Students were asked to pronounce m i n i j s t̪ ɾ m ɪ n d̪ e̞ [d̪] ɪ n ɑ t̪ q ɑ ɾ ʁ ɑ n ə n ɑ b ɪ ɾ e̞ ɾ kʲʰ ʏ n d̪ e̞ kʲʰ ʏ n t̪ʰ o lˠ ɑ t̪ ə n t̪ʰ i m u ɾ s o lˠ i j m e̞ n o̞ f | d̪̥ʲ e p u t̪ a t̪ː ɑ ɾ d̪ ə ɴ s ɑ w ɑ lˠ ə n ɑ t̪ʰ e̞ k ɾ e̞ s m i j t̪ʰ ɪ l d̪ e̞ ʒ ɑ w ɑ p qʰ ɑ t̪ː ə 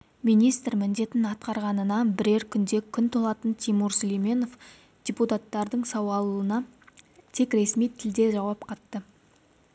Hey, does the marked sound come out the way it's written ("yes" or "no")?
no